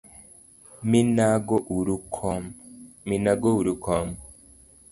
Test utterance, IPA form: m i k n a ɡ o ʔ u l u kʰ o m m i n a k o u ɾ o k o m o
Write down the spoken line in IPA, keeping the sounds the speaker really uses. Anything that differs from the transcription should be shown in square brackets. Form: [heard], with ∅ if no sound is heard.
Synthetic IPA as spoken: m i [∅] n a ɡ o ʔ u [ɾ] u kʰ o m m i n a [ɡ] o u ɾ [u] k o m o